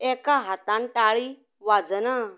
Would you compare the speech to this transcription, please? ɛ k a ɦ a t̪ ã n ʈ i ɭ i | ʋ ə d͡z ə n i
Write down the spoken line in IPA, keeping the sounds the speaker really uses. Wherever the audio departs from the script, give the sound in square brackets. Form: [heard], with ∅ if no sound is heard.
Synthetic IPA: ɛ k a ɦ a t̪ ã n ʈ [a] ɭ i | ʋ [a] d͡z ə n [a]